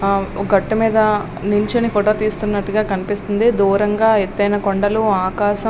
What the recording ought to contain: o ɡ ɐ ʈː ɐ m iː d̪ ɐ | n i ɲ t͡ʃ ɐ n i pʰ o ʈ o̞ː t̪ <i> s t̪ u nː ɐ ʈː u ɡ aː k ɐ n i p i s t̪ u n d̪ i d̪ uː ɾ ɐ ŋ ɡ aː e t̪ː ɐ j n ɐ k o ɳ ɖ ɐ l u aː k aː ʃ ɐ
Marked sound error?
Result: yes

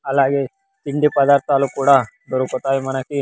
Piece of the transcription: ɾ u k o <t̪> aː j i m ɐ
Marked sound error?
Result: no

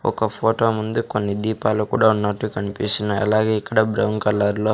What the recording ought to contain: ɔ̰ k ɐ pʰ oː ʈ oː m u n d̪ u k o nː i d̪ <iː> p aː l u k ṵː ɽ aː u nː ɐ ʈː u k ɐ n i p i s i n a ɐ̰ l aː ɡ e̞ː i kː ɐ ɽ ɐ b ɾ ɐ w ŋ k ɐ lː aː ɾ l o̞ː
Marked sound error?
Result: no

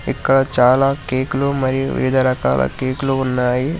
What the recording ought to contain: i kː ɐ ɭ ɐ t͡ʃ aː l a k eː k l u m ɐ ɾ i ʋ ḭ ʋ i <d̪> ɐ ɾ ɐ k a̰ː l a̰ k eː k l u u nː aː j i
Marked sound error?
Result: no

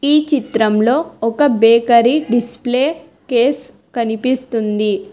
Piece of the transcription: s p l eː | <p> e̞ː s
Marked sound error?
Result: yes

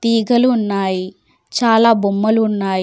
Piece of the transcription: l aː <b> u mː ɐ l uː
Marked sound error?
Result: no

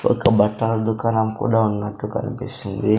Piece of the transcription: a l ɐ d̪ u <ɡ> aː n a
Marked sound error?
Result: yes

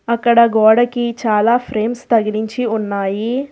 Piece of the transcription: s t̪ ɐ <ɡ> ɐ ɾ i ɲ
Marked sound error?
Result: no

